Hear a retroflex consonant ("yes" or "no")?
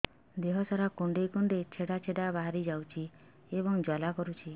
yes